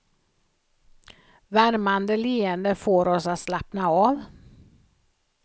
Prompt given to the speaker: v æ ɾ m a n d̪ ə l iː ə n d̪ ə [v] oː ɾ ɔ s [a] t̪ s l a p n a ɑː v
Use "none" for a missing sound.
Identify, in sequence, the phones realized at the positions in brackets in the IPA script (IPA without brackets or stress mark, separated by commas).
f, a